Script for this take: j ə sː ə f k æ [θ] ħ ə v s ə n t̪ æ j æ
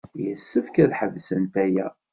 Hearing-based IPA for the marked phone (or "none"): ð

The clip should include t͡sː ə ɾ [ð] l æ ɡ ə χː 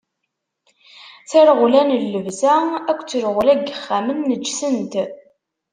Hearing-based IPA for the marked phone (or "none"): ʁ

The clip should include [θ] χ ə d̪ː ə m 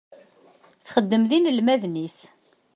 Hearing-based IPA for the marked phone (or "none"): θ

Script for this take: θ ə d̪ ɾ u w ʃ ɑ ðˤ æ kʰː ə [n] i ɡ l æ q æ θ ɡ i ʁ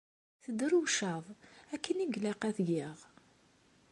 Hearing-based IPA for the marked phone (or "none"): n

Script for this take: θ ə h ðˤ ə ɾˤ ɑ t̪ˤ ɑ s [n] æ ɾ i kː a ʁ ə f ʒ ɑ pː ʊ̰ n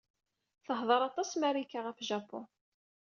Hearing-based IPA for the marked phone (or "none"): m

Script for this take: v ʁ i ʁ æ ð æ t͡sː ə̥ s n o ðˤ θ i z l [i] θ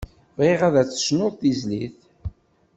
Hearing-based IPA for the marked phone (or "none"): i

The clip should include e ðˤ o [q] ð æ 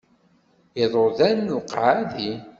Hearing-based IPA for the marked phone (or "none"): none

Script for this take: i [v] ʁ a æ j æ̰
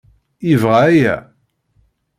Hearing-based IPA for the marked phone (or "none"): v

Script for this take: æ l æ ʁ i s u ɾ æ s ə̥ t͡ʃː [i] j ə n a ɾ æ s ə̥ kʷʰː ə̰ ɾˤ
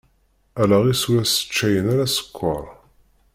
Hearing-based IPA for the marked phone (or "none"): æ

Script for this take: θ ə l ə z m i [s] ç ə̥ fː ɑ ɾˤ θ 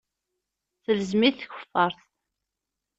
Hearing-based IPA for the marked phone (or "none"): θ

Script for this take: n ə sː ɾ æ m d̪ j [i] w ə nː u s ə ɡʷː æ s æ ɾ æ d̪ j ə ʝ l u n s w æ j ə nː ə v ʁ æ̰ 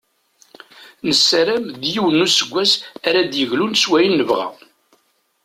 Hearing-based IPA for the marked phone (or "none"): i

